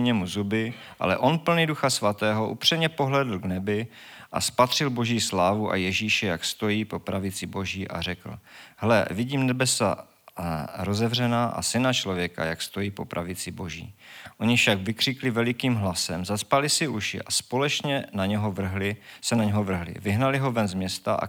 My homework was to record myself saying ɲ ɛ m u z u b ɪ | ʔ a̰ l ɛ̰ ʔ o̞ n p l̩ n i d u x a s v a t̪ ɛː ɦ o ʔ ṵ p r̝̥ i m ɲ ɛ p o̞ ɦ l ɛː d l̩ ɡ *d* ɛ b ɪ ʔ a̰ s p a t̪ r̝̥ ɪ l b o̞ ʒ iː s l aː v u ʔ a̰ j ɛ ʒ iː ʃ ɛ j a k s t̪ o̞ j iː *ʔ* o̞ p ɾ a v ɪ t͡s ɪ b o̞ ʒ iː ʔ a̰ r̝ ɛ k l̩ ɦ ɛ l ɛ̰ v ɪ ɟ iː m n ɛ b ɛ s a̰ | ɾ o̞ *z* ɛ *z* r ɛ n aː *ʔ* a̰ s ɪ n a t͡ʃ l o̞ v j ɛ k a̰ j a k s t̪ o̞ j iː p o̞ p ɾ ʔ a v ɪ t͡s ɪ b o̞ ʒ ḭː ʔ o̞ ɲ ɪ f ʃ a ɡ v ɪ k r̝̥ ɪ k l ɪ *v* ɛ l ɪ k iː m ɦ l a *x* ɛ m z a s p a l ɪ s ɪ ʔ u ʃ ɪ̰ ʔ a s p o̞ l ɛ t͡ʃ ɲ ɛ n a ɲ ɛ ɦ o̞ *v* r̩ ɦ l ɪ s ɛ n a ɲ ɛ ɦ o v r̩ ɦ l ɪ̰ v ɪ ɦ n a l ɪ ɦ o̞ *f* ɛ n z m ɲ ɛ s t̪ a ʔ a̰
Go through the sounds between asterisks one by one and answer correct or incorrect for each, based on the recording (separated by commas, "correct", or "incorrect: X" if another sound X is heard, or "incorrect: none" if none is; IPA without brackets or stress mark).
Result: incorrect: n, incorrect: p, correct, incorrect: v, correct, correct, incorrect: s, correct, incorrect: v